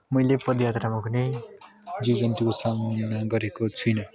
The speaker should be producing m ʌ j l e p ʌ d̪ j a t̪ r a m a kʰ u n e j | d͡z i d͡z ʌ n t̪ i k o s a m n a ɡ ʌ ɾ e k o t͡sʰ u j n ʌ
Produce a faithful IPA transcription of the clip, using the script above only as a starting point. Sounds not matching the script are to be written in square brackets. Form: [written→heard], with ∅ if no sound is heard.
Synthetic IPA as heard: m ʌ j l e p ʌ d̪ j a t̪ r a m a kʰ u n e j | d͡z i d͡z ʌ n t̪ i k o s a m n a ɡ ʌ ɾ e k o t͡sʰ u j n ʌ